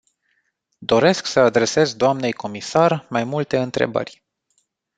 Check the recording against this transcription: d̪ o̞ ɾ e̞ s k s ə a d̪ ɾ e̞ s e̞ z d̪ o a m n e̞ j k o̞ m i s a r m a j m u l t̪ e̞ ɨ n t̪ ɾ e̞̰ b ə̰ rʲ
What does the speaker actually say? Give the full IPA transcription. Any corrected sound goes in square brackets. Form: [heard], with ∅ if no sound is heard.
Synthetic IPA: d̪ o̞ ɾ e̞ s k s ə a d̪ ɾ e̞ s e̞ z d̪ o a m n e̞ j k o̞ m i s a r m a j m u l t̪ e̞ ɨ n t̪ ɾ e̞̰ b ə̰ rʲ